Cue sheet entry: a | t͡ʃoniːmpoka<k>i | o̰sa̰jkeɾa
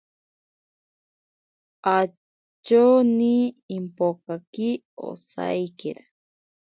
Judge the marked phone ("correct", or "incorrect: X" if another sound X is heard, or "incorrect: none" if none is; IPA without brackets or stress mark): correct